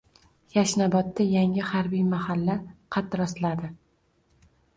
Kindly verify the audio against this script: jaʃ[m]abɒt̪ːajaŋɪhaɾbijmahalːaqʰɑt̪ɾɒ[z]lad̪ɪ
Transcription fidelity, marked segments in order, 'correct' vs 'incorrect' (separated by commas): incorrect, incorrect